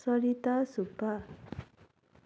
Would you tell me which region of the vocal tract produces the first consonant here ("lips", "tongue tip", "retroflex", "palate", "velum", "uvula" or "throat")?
tongue tip